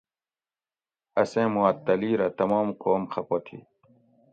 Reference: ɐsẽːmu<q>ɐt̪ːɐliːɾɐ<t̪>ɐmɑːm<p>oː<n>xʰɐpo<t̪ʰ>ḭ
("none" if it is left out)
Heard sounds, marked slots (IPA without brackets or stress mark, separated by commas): none, t̪, q, m, t̪ʰ